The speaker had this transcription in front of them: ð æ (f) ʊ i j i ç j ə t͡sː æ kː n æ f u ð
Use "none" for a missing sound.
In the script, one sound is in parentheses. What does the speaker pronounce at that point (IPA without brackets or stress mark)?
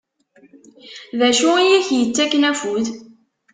ʃ